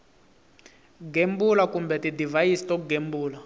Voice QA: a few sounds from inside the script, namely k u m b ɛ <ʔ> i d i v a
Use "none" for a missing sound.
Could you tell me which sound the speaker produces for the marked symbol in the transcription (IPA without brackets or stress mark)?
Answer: t